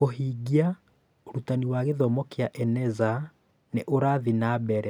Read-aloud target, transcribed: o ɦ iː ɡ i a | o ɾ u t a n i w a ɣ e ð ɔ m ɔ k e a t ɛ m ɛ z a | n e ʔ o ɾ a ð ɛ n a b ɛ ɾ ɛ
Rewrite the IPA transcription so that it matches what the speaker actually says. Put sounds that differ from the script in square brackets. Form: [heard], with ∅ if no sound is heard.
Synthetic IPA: o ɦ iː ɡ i a | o ɾ u t a n i w a ɣ e ð ɔ m ɔ k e a [ʔ] ɛ [n] ɛ z a | n e ʔ o ɾ a ð [i] n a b ɛ ɾ ɛ